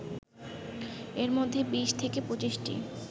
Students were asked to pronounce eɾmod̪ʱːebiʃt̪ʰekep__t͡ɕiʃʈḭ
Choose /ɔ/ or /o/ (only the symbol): o